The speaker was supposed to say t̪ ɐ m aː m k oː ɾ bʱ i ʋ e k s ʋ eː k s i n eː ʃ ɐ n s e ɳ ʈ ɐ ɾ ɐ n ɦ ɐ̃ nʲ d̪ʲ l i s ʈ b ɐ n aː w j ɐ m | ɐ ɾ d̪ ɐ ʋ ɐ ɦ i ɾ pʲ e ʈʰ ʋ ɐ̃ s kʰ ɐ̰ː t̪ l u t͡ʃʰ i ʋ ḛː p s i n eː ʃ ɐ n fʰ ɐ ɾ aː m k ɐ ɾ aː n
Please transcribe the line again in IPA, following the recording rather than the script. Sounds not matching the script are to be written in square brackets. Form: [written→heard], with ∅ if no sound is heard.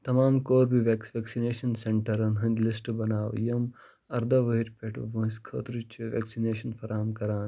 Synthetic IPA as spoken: t̪ ɐ m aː m k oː ɾ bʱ i ʋ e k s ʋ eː k s i n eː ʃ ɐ n s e ɳ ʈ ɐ ɾ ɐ n ɦ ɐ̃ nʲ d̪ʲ l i s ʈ b ɐ n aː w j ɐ m | ɐ ɾ d̪ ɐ ʋ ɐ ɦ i ɾ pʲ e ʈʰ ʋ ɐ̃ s kʰ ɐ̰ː t̪ [l→ɾ] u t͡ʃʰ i ʋ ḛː [p→k] s i n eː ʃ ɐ n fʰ ɐ ɾ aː m k ɐ ɾ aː n